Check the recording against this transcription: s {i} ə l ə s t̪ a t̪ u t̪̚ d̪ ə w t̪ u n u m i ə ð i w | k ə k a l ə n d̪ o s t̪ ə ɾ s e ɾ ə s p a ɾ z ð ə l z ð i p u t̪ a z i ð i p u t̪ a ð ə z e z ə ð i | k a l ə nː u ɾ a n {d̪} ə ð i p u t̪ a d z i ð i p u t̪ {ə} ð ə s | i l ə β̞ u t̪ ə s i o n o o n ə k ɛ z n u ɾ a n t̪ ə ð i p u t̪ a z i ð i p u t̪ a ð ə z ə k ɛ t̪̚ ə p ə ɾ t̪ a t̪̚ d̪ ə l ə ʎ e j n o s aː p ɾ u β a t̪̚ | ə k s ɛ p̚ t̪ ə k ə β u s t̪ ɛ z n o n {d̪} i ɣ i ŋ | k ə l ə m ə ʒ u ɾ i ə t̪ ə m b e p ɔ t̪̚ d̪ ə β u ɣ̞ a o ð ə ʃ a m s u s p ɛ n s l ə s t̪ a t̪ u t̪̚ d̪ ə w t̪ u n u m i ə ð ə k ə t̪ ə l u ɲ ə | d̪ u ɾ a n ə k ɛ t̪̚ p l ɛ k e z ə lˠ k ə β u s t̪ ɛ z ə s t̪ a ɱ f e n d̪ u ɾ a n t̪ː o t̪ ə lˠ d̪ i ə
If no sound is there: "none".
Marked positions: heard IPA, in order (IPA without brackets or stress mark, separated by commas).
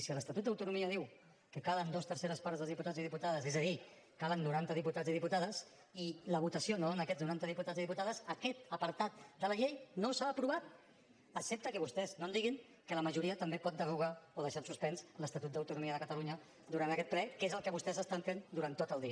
i, t̪, a, d̪